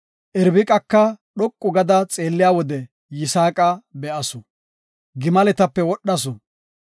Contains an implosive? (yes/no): yes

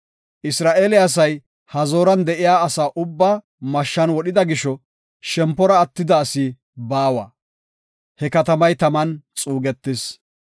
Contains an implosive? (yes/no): yes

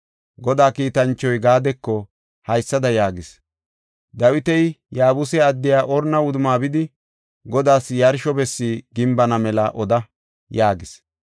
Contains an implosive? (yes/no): no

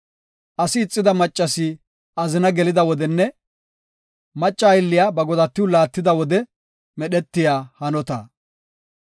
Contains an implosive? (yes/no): yes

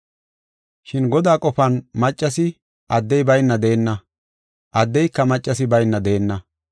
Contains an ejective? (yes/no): yes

